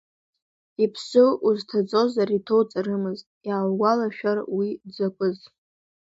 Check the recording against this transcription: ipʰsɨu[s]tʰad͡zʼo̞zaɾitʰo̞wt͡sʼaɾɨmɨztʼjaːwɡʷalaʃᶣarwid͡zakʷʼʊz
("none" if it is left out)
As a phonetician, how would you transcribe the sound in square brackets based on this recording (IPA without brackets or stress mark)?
z